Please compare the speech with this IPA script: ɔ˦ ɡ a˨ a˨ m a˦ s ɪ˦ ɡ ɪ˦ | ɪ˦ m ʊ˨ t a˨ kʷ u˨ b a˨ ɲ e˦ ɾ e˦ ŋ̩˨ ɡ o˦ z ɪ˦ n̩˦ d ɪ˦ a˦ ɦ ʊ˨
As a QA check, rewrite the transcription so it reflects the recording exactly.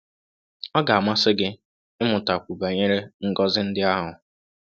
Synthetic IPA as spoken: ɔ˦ ɡ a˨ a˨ m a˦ s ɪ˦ ɡ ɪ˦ | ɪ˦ m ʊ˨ t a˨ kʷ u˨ b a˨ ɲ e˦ ɾ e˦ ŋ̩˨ ɡ ɔ˦ z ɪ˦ n̩˦ d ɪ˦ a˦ ɦ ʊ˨